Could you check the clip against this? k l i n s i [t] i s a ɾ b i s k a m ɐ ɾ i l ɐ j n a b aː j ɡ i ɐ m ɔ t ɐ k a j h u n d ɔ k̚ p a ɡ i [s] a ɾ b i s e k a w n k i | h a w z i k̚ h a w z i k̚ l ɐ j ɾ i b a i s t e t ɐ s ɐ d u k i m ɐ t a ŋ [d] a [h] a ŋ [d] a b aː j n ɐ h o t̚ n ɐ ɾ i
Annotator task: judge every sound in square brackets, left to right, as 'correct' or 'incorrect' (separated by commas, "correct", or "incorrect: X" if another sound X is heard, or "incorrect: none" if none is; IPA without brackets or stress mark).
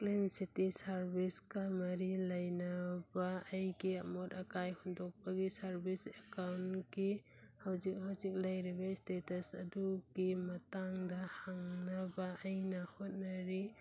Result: correct, correct, correct, correct, incorrect: n